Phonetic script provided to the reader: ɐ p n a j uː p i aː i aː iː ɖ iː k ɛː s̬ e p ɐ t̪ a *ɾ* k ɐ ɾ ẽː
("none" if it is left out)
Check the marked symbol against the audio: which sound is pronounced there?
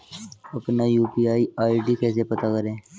none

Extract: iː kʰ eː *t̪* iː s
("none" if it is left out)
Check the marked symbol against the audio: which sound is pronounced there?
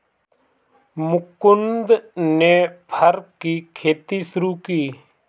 t̪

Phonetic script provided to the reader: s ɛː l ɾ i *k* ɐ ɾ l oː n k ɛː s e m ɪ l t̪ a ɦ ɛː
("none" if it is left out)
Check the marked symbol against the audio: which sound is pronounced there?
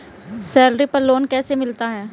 p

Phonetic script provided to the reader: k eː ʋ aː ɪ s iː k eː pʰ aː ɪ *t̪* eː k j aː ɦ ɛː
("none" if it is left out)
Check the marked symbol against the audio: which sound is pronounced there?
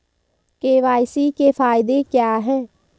d̪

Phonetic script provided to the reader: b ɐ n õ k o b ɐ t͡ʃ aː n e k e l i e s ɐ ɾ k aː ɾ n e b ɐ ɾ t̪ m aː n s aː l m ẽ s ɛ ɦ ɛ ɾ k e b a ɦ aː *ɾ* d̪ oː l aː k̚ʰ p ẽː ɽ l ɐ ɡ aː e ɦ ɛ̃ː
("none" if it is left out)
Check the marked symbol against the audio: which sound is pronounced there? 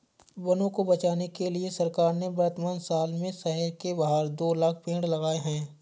ɾ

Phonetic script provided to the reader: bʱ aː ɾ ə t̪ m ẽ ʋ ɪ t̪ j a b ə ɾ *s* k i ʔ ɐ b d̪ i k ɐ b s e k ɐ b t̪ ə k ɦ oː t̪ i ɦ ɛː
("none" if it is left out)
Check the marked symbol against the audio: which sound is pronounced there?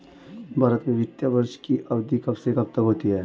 ʃ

